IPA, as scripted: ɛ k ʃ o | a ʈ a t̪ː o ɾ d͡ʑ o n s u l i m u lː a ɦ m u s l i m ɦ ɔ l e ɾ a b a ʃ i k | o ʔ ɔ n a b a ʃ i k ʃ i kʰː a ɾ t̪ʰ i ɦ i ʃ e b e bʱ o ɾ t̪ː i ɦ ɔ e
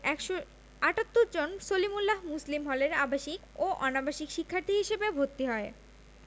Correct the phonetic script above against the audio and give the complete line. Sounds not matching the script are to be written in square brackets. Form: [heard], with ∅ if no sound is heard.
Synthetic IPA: ɛ k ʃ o | a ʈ a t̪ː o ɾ d͡ʑ o n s [o] l i m u lː a ɦ m u s l i m ɦ ɔ l e ɾ a b a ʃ i k | o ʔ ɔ n a b a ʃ i k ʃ i kʰː a ɾ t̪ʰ i ɦ i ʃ e b e bʱ o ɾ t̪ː i ɦ ɔ e